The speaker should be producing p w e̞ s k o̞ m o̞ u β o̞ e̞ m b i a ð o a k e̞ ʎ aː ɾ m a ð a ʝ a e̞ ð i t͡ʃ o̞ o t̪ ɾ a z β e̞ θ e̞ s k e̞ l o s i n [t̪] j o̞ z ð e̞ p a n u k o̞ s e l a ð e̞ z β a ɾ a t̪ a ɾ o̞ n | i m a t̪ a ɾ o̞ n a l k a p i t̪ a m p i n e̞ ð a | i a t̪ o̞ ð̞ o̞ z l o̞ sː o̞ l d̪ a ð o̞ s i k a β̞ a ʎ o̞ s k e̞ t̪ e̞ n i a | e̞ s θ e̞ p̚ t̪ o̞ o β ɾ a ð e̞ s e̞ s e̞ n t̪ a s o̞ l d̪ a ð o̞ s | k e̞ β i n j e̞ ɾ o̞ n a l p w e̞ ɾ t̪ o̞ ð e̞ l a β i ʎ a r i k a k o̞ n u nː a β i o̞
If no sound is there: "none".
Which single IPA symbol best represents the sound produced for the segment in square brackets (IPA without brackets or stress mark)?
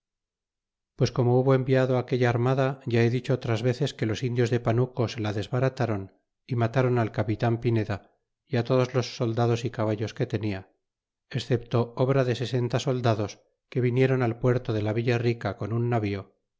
d̪